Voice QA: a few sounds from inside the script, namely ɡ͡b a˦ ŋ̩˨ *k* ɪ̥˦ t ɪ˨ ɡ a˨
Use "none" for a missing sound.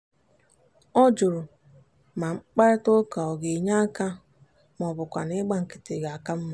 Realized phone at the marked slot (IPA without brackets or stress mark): k